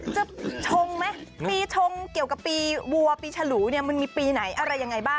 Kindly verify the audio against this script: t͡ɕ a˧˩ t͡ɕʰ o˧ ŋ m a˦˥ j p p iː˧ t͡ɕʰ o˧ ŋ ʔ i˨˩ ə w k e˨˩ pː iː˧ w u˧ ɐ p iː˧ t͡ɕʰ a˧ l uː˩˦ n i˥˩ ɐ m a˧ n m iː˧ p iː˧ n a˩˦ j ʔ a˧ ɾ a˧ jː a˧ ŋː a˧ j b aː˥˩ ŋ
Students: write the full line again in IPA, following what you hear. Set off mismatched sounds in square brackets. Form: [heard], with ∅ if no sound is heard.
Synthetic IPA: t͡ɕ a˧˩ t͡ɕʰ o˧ ŋ m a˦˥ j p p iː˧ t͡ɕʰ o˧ ŋ [k] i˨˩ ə w k [a˨˩] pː iː˧ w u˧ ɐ p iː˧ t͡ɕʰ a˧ l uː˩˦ n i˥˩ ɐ m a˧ n m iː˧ p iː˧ n a˩˦ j ʔ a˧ ɾ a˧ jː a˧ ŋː a˧ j b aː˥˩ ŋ